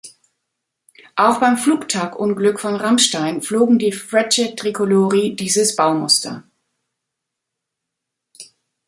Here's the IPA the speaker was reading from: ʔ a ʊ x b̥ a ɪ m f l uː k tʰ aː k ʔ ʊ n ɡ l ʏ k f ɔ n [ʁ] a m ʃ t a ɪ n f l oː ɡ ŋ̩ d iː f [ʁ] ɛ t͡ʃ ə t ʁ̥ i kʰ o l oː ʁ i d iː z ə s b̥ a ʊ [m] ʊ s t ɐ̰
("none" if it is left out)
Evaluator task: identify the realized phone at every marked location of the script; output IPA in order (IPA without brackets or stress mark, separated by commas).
ʁ, ʁ, m